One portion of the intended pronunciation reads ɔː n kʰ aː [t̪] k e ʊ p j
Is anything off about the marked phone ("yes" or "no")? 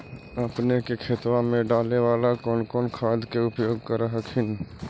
yes